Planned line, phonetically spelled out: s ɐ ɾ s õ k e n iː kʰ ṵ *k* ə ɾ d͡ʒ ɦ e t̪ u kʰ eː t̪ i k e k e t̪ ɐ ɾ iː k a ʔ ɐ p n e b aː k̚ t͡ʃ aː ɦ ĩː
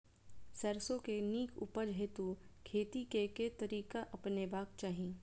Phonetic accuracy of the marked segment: incorrect: p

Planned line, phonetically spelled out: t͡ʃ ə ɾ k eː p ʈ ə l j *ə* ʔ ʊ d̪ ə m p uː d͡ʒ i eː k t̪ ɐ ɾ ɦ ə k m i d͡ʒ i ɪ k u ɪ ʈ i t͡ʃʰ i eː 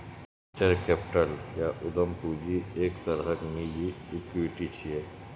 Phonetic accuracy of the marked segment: incorrect: a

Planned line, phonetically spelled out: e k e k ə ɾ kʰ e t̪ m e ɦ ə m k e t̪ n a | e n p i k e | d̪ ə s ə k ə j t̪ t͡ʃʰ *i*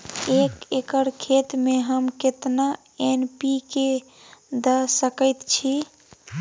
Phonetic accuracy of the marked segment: correct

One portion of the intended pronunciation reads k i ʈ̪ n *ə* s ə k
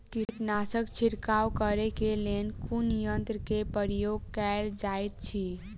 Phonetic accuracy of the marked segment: incorrect: a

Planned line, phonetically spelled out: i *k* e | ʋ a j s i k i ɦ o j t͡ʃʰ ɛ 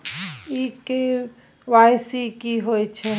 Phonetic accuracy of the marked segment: correct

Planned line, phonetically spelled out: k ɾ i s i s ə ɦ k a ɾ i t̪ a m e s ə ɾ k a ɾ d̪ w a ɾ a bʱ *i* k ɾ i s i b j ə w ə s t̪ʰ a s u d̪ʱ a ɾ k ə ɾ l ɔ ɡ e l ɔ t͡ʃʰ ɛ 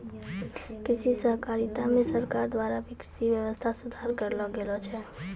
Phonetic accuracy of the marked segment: correct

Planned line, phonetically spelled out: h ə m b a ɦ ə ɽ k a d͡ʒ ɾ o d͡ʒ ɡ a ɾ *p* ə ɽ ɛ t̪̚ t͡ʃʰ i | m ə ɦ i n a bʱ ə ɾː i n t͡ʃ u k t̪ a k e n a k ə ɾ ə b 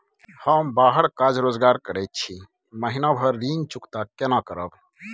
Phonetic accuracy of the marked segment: incorrect: k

